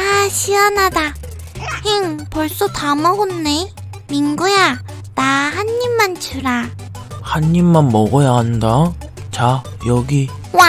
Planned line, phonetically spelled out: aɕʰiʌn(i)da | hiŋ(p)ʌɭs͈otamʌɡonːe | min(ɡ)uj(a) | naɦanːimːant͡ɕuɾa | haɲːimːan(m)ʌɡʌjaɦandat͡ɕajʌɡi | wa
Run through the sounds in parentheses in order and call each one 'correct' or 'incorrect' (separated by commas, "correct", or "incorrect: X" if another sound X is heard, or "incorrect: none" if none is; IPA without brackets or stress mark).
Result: incorrect: a, correct, correct, correct, correct